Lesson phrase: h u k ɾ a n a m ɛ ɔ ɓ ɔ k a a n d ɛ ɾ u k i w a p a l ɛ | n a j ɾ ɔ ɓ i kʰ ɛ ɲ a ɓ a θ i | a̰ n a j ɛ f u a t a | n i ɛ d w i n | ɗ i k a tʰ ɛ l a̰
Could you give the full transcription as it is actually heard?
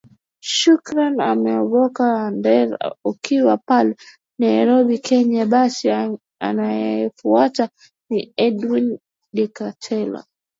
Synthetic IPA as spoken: ʃ u k ɾ a n a m ɛ ɔ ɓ ɔ k a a n d ɛ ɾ u k i w a p a l ɛ | n a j ɾ ɔ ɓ i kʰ ɛ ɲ a ɓ a s i | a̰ n a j ɛ f u a t a | n i ɛ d w i n | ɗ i k a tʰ ɛ l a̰